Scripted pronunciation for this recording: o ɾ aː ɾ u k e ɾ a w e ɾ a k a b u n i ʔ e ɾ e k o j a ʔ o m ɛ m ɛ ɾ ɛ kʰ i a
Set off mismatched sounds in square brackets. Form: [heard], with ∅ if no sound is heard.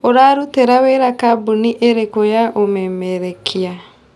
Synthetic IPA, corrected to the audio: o ɾ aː ɾ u [t] e ɾ a w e ɾ a k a b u n i ʔ e ɾ e k o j a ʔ o m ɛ m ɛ ɾ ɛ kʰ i a